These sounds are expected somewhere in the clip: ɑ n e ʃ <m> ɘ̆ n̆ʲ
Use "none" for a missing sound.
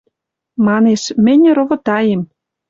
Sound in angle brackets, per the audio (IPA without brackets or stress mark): m